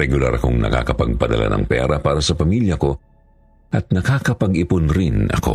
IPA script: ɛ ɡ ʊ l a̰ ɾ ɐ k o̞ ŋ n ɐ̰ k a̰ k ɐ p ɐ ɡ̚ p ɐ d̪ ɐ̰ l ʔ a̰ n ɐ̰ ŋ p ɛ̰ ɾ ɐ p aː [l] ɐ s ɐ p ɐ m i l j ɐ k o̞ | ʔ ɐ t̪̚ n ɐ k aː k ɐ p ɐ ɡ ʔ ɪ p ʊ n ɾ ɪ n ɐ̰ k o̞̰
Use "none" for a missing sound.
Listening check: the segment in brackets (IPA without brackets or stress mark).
ɾ